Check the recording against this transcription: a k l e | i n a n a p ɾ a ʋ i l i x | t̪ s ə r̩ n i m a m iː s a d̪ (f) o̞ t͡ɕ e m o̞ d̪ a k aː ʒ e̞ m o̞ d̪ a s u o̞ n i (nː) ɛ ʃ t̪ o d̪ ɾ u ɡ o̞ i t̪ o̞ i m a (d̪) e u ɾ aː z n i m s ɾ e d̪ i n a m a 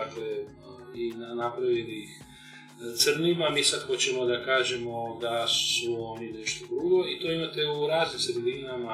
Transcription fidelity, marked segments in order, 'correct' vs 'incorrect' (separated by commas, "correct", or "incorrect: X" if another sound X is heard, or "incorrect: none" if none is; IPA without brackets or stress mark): incorrect: x, incorrect: n, incorrect: t̪